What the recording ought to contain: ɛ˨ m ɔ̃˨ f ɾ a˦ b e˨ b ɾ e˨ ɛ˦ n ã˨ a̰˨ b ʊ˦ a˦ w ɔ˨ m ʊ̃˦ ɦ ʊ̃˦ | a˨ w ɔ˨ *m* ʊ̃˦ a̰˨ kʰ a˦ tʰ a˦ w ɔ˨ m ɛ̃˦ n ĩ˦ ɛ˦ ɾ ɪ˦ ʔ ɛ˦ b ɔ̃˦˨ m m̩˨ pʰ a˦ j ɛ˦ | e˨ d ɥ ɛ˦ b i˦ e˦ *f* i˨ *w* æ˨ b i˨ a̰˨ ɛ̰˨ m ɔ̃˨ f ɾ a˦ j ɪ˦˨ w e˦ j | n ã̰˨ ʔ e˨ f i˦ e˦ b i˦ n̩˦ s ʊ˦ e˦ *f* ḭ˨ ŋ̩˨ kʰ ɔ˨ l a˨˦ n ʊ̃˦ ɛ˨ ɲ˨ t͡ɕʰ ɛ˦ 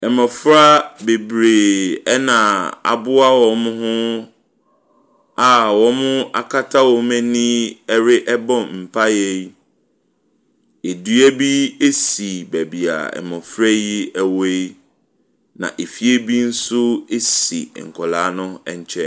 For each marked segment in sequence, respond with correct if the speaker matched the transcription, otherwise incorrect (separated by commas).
correct, incorrect, incorrect, incorrect